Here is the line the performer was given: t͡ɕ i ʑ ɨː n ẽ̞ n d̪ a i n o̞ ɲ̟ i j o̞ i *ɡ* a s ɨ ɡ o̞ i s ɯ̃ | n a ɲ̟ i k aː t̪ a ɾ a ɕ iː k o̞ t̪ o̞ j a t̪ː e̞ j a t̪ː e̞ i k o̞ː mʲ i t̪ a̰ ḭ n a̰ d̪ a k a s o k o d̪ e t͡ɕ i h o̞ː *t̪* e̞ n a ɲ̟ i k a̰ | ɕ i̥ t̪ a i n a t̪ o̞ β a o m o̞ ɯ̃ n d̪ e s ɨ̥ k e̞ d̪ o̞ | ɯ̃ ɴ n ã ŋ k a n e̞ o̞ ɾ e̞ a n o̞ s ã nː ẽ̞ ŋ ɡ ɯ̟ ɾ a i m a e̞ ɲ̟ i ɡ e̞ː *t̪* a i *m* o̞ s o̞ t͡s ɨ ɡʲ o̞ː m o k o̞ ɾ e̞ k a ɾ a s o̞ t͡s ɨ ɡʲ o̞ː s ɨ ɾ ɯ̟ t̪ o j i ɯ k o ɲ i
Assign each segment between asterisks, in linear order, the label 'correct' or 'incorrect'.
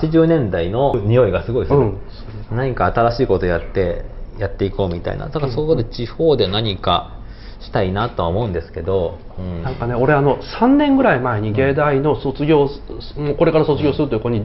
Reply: correct, incorrect, incorrect, incorrect

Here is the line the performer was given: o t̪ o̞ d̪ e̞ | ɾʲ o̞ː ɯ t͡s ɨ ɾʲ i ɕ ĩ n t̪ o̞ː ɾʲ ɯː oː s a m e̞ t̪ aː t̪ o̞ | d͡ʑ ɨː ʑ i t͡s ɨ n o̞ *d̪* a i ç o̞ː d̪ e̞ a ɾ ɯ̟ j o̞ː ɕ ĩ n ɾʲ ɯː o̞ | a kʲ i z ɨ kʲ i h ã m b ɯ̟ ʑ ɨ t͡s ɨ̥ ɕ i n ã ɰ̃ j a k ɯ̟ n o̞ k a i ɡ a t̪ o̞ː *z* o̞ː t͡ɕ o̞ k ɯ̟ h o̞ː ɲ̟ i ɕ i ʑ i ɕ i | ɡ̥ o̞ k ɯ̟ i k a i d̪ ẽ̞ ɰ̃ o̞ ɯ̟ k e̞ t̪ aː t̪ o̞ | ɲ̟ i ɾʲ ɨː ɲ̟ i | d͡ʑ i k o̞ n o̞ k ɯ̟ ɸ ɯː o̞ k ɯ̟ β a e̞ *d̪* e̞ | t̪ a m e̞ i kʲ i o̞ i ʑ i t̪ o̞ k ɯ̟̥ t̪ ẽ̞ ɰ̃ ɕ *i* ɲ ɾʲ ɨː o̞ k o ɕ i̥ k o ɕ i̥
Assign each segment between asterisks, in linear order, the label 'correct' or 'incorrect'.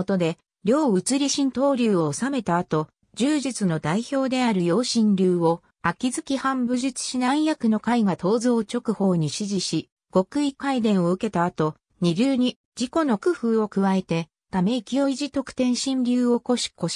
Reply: correct, correct, incorrect, incorrect

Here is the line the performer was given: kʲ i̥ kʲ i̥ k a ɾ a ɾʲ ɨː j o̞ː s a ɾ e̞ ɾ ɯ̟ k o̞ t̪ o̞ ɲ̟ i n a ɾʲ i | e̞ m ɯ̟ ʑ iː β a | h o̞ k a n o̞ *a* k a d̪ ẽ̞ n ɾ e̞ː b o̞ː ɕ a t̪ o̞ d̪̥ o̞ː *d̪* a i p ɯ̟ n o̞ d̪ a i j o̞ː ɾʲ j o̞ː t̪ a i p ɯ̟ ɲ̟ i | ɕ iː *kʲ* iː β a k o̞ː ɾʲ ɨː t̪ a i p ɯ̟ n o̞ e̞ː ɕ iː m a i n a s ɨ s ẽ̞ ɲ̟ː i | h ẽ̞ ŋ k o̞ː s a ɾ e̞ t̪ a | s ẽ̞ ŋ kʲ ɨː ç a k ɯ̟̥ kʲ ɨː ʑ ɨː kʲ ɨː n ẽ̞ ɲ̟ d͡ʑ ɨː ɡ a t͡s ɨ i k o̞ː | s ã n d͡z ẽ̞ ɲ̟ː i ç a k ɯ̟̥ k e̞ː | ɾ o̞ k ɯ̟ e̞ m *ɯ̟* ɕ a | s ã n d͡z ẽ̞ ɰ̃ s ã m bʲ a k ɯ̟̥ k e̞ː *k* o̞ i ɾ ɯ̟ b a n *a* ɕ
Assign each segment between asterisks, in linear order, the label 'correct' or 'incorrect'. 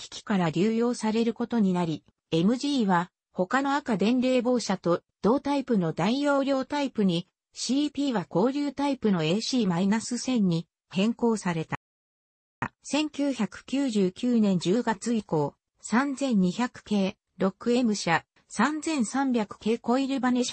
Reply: correct, incorrect, incorrect, correct, correct, incorrect

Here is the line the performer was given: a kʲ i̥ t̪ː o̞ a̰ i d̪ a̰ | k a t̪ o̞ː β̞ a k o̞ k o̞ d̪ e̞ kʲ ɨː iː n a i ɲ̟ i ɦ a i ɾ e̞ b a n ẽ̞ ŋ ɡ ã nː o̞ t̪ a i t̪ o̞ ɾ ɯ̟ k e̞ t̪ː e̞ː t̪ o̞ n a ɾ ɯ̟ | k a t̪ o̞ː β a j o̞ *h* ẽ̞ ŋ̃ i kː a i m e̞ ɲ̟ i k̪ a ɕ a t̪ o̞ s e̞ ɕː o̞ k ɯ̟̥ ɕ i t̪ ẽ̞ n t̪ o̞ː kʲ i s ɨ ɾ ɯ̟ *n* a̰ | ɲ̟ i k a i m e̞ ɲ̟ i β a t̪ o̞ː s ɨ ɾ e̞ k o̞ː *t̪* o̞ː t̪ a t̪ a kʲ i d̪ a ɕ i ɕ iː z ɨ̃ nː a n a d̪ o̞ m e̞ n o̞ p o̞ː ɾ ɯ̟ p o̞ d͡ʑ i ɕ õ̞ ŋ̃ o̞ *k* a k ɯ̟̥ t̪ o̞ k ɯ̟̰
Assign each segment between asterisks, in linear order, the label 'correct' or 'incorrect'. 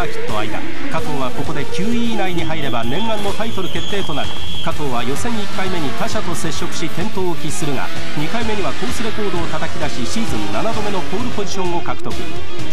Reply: incorrect, incorrect, incorrect, correct

